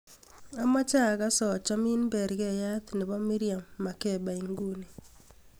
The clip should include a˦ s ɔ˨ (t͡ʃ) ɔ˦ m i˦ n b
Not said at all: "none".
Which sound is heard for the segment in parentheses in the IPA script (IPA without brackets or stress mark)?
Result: t͡ʃ